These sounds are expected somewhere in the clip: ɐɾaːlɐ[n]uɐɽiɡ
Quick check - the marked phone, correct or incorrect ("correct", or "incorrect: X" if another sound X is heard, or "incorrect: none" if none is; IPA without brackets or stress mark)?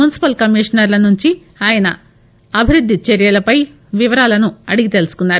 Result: correct